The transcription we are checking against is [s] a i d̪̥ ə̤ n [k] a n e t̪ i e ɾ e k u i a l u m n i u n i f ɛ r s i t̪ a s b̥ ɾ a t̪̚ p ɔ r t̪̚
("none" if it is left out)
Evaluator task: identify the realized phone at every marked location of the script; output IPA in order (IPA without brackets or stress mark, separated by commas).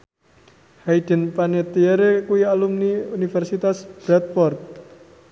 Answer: h, p